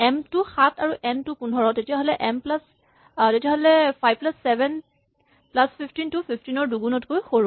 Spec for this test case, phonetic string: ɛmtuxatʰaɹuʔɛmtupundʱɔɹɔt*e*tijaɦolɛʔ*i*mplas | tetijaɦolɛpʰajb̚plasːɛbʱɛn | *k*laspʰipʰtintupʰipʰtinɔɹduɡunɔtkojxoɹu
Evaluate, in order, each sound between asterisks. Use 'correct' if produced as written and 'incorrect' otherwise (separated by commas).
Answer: correct, incorrect, incorrect